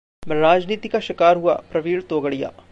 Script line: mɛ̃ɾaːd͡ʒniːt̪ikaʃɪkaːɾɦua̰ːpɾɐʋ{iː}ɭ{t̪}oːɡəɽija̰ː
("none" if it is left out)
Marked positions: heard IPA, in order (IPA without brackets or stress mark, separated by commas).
iː, t̪